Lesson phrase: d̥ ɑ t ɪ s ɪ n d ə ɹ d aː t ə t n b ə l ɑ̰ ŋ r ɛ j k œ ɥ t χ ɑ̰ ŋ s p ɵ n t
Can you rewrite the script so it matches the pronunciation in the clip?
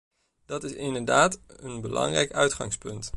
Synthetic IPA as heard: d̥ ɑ t ɪ s ɪ n d ə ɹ d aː t ə n b ə l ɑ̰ ŋ r ɛ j k œ ɥ t χ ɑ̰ ŋ s p ɵ n t